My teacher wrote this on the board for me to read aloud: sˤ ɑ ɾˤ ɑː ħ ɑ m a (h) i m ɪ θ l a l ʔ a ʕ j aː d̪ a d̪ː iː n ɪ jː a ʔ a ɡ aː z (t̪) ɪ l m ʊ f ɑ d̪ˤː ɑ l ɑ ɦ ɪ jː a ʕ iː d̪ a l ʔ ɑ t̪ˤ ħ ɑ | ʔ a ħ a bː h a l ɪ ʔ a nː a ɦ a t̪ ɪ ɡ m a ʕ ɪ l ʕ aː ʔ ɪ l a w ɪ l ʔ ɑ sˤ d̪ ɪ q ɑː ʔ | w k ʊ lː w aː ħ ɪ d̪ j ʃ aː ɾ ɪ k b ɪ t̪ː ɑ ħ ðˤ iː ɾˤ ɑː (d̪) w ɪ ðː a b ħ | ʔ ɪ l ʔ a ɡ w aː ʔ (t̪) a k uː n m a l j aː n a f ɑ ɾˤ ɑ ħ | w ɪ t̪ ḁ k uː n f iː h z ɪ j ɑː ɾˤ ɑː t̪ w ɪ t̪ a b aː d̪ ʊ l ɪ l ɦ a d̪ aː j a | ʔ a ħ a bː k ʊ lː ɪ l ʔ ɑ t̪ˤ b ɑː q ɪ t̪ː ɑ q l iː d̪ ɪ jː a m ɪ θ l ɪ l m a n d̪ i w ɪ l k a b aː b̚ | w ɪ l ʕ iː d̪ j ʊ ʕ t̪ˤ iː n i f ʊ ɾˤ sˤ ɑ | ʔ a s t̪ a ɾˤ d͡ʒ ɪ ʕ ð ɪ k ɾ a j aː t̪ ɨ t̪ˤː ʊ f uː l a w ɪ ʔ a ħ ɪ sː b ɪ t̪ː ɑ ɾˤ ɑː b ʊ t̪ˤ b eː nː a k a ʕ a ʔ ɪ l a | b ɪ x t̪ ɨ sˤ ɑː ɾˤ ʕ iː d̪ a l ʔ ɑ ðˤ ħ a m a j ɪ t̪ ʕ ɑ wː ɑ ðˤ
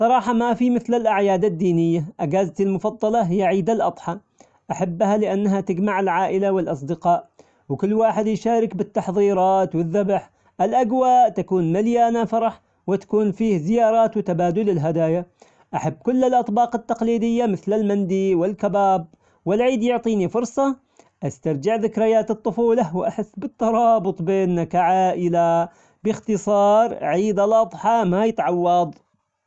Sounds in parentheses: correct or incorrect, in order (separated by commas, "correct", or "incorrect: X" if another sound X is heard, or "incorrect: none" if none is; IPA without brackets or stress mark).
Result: incorrect: f, correct, incorrect: t̪, correct